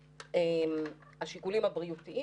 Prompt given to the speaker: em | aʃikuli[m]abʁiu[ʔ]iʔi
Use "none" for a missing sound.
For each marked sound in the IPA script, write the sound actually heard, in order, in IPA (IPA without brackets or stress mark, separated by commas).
m, t